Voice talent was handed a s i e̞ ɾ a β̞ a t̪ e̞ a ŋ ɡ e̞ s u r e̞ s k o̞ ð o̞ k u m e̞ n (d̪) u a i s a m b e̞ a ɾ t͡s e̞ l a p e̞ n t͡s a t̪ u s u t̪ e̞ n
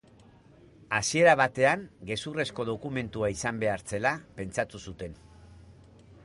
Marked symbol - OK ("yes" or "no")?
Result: no